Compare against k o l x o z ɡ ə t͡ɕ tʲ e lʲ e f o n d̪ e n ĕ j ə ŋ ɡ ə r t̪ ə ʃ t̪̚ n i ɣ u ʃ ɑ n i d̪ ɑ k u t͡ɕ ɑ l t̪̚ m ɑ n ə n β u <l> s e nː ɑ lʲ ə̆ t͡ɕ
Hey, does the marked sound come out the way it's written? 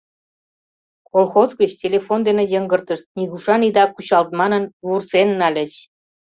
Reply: no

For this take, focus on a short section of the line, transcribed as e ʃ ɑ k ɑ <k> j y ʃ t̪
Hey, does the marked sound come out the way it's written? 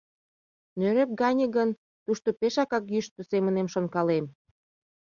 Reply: yes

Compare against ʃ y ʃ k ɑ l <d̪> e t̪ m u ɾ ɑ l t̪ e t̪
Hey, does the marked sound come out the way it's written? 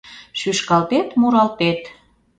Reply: no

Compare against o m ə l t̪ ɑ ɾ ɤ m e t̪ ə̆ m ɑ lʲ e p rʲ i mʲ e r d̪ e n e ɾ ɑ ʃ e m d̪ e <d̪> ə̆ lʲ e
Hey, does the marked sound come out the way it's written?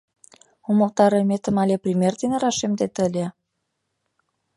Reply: no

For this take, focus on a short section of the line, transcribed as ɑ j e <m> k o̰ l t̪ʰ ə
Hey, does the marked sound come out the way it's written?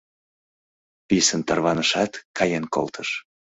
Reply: no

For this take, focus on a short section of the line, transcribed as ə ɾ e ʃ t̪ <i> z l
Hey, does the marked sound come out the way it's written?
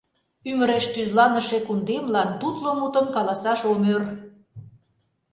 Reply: no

